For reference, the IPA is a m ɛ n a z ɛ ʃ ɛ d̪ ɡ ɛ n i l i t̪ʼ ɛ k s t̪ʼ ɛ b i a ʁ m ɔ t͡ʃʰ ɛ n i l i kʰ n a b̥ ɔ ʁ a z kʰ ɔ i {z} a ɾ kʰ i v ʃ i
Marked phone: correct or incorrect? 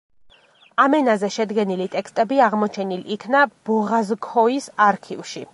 incorrect